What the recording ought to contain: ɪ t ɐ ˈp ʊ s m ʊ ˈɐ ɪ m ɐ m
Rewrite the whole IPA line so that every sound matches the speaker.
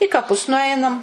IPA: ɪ k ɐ ˈp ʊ s n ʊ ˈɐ ɪ n ɐ m